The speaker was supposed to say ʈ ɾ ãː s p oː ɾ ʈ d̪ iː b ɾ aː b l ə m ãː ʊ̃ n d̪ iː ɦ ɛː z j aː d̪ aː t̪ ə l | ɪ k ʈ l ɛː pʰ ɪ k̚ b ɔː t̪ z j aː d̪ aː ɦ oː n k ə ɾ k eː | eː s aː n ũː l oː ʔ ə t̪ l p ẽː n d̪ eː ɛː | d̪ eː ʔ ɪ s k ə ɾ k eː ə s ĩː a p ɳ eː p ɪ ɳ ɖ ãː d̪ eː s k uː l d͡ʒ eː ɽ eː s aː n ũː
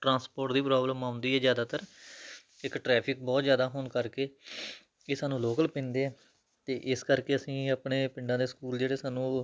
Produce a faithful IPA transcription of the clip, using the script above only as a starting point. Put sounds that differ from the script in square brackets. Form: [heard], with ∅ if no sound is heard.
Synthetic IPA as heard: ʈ ɾ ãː s p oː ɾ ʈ d̪ iː [p] ɾ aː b l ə m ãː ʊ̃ n d̪ iː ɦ ɛː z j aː d̪ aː t̪ ə [ɾ] | ɪ k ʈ [ɾ] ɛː pʰ ɪ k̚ b ɔː t̪ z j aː d̪ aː ɦ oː n k ə ɾ k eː | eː s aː n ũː l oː [k] ə [∅] l p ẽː n d̪ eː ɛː | [t̪] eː ʔ ɪ s k ə ɾ k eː ə s ĩː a p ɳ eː p ɪ ɳ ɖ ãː d̪ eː s k uː l d͡ʒ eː ɽ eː s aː n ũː